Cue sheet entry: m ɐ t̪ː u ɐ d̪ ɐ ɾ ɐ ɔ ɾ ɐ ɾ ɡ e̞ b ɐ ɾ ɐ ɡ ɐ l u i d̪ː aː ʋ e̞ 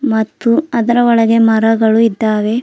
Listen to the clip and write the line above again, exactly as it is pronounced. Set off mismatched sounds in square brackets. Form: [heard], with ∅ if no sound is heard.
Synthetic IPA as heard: m ɐ t̪ː u ɐ d̪ ɐ ɾ ɐ ɔ [ɭ] ɐ [∅] ɡ e̞ [m] ɐ ɾ ɐ ɡ ɐ [ɭ] u i d̪ː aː ʋ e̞